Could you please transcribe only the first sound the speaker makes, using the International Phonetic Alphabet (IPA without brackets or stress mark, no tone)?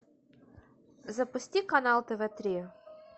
z